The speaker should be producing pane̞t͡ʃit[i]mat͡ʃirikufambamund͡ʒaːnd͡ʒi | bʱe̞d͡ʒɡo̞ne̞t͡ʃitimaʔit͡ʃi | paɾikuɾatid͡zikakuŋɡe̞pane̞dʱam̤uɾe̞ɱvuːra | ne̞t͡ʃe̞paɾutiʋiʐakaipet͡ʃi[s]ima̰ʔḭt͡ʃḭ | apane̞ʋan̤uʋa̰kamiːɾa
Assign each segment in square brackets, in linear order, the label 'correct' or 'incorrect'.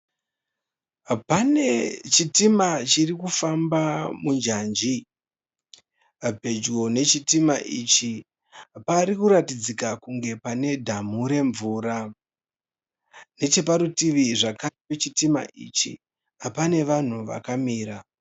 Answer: correct, incorrect

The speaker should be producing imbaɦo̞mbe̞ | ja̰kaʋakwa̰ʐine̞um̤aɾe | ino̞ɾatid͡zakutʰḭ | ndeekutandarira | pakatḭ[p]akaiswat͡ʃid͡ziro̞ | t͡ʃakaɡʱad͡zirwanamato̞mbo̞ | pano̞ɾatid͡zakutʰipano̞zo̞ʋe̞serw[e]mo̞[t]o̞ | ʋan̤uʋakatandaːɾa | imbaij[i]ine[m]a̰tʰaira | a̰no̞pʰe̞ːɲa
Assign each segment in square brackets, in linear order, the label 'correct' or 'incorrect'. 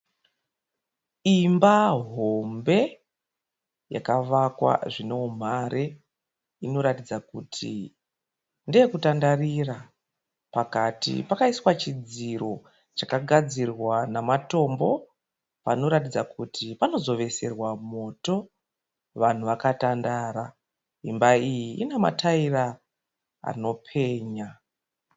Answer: correct, incorrect, correct, correct, correct

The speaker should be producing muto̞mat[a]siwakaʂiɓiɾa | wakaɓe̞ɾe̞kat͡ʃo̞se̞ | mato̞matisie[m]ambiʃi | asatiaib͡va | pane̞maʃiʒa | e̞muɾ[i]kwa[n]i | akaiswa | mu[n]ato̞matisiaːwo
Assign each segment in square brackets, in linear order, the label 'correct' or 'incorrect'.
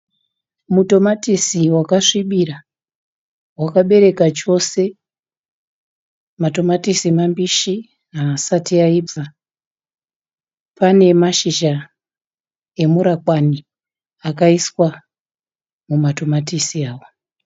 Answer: incorrect, correct, incorrect, correct, incorrect

